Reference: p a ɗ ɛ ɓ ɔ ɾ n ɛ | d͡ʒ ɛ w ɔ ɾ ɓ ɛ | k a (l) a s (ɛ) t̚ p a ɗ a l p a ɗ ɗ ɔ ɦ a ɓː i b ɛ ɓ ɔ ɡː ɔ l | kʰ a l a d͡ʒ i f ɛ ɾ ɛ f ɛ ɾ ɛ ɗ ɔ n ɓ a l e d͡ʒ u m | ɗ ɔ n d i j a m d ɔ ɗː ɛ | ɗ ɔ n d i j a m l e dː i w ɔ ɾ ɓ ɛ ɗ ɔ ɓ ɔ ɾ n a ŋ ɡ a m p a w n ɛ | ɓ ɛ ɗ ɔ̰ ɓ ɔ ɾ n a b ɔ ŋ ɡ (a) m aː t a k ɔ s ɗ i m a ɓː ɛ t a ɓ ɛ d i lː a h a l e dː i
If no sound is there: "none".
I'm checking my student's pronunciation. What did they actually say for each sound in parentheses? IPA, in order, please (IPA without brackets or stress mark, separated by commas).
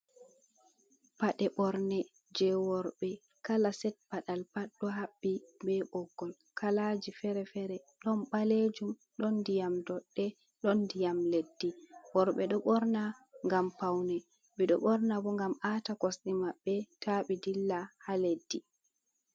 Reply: l, ɛ, a